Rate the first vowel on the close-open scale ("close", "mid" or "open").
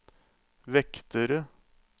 mid